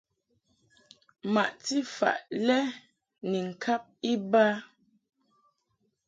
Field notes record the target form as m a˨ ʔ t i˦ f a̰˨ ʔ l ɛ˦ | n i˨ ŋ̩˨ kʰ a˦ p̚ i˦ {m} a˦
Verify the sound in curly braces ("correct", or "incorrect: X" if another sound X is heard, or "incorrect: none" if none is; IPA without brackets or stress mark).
incorrect: b